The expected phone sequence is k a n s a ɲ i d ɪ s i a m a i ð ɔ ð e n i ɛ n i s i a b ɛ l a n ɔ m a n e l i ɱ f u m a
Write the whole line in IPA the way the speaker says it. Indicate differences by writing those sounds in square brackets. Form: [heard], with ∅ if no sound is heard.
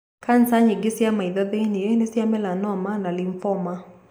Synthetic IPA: k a n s a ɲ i [ɡ] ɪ s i a m a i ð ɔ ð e n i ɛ n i s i a [m] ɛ l a n ɔ m a n [a] l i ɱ f [ɔ] m a